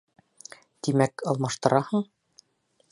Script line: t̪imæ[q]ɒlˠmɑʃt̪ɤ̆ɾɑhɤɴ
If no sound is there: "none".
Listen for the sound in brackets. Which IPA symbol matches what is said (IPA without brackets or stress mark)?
k